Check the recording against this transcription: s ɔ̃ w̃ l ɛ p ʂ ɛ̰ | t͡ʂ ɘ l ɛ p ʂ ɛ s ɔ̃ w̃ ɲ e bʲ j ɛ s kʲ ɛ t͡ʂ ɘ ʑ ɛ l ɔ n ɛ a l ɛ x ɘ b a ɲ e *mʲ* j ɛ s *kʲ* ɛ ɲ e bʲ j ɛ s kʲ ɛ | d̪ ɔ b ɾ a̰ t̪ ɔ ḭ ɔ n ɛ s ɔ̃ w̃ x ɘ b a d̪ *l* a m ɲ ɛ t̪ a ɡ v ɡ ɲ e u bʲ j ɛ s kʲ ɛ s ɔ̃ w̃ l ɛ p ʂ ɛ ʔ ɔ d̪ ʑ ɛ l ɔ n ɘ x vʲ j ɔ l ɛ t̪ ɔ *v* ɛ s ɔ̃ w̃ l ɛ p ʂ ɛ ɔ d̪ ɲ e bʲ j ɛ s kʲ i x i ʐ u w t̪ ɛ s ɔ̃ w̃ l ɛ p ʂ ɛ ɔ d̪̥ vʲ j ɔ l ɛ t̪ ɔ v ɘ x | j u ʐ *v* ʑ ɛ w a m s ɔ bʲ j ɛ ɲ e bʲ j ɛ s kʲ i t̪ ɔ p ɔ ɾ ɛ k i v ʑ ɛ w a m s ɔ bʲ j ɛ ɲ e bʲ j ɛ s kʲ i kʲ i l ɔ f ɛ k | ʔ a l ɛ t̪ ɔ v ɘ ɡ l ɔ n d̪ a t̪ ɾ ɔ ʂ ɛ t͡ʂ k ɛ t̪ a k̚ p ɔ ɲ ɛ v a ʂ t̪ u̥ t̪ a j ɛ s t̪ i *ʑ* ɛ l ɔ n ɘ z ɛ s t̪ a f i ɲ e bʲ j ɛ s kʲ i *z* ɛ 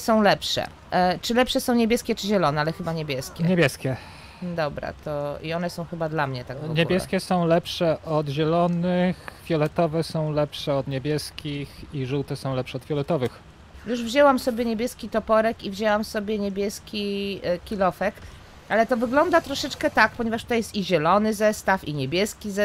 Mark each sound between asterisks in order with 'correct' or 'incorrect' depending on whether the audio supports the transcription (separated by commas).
incorrect, correct, correct, correct, correct, correct, correct